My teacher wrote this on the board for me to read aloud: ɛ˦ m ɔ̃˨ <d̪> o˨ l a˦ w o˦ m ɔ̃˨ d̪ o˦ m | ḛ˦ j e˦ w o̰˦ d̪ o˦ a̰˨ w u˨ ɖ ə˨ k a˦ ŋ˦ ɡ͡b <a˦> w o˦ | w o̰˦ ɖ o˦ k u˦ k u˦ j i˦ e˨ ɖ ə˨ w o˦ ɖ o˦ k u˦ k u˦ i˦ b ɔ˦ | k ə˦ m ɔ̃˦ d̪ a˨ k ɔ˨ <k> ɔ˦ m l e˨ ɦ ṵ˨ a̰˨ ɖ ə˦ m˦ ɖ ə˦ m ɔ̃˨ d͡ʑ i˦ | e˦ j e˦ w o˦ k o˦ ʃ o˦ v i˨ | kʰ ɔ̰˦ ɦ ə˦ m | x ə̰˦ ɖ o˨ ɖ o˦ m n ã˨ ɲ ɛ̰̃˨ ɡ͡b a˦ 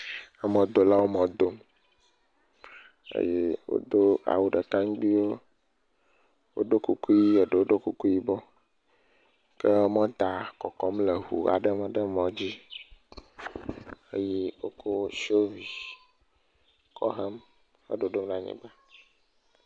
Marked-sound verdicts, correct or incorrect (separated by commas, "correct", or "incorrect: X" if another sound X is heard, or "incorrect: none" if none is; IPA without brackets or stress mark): correct, incorrect: i˦, correct